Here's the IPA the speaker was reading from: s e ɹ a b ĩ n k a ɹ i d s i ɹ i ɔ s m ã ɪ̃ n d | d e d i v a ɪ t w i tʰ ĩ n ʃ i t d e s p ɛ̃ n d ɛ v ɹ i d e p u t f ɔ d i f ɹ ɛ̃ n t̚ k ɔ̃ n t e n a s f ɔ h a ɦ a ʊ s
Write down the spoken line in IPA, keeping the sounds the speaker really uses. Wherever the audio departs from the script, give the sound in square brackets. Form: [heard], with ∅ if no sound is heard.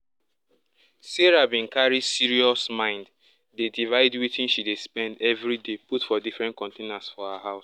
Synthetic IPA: s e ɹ a b ĩ n k a ɹ i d s i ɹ i ɔ s m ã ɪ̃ n d | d e d i v a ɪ [d] w i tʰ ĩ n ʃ i [∅] d e s p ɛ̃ n d ɛ v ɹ i d e p u t f ɔ d i f ɹ ɛ̃ n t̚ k ɔ̃ n t e n a s f ɔ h a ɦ a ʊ s